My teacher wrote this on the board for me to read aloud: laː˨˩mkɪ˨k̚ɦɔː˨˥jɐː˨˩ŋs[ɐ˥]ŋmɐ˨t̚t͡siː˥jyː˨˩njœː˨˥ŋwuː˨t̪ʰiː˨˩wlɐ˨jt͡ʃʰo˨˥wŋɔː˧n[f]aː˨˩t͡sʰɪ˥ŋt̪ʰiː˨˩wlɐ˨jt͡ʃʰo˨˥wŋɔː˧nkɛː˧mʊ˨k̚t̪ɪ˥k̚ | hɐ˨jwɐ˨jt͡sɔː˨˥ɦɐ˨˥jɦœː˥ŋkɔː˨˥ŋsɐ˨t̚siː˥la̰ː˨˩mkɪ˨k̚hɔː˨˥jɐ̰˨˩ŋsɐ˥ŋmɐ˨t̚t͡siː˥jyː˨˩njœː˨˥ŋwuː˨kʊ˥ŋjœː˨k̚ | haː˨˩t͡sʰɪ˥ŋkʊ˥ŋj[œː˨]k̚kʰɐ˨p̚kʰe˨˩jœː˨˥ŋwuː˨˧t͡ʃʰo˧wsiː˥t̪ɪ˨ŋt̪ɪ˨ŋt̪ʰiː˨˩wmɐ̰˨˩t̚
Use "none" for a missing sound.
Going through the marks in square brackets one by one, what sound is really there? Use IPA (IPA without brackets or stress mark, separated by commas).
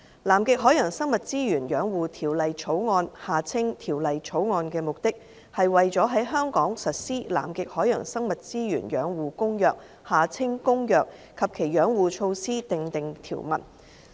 ɐ˥, h, œː˨